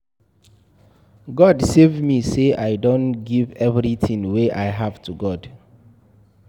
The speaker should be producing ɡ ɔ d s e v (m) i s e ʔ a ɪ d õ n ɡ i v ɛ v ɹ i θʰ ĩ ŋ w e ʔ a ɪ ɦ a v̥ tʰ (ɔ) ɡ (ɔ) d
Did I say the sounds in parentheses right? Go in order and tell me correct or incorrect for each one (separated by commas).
correct, incorrect, correct